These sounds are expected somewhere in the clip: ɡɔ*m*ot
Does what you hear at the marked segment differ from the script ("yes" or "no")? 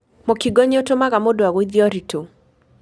yes